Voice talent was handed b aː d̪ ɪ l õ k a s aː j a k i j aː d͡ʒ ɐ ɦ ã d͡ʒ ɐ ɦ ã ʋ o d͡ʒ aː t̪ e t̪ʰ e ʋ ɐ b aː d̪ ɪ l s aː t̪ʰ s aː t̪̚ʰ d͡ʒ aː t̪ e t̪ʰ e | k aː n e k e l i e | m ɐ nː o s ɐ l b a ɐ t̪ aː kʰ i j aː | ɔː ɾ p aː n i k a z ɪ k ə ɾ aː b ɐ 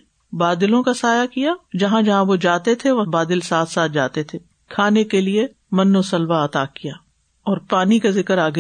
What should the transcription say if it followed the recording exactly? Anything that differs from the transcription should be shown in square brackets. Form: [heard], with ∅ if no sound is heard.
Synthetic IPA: b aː d̪ ɪ l õ k a s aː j a k i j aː d͡ʒ ɐ ɦ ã d͡ʒ ɐ ɦ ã ʋ o d͡ʒ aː t̪ e t̪ʰ e ʋ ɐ b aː d̪ ɪ l s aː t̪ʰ s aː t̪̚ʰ d͡ʒ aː t̪ e t̪ʰ e | [kʰ] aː n e k e l i e | m ɐ nː o s ɐ l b a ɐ t̪ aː [k] i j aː | ɔː ɾ p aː n i k a z ɪ k ə ɾ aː [ɡ] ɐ